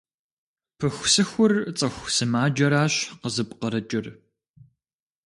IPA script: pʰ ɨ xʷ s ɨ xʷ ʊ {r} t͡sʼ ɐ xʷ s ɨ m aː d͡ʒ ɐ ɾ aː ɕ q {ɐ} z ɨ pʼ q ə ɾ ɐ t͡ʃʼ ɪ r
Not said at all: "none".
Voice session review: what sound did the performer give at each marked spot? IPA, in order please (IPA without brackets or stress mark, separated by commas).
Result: r, ə